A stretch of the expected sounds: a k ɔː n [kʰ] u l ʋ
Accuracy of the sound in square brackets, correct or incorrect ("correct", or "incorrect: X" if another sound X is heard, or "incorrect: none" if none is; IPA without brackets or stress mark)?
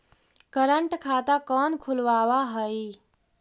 correct